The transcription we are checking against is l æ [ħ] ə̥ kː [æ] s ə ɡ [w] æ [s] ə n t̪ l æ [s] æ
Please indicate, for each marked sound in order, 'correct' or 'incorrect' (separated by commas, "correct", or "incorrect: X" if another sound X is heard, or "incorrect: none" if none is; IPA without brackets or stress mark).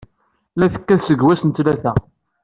incorrect: θ, correct, correct, correct, incorrect: θ